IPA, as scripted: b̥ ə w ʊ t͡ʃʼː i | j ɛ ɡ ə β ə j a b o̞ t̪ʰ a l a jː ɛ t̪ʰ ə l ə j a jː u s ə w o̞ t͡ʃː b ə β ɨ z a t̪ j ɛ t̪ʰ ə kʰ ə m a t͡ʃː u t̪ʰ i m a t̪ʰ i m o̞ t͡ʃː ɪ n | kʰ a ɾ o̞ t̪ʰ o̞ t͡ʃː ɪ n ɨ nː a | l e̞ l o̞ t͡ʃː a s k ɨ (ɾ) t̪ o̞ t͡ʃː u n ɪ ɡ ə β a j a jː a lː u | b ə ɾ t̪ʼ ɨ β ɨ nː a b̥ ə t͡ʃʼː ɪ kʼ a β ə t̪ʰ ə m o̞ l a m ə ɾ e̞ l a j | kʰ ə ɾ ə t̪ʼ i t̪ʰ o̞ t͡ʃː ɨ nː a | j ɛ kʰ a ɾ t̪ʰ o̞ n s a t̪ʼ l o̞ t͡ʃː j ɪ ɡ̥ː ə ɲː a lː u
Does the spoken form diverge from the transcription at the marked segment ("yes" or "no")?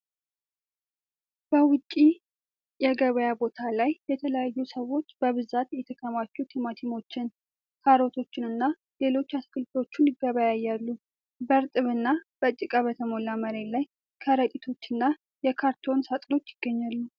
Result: yes